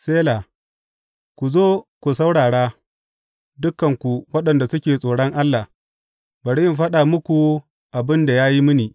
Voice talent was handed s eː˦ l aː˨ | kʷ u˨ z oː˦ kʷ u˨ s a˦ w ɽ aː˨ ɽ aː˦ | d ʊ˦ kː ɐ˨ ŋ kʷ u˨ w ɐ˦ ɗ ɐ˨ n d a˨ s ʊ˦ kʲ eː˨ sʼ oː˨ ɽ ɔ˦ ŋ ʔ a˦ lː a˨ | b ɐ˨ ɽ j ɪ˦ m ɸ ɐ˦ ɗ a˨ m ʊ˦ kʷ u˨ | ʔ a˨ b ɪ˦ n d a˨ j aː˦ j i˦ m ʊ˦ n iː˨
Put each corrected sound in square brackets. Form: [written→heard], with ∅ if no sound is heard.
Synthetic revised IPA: s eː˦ l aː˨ | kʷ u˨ z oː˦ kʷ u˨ s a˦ w ɽ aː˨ ɽ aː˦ | d ʊ˦ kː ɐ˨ ŋ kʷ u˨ w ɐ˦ ɗ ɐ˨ n d a˨ s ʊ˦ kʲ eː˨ sʼ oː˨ ɽ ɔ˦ ŋ ʔ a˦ lː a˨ | b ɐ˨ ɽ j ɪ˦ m ɸ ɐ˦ ɗ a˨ m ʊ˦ kʷ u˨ | ʔ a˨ b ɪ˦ n d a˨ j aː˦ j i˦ m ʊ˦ n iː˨